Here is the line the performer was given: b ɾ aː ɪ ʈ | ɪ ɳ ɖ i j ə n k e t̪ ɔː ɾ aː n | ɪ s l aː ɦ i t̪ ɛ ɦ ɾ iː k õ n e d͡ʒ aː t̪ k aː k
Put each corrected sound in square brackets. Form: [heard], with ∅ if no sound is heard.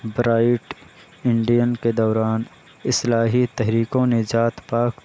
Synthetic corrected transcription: b ɾ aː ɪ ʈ | ɪ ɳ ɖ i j ə n k e [d̪] ɔː ɾ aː n | ɪ s l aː ɦ i t̪ ɛ ɦ ɾ iː k õ n e d͡ʒ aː t̪ [p] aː k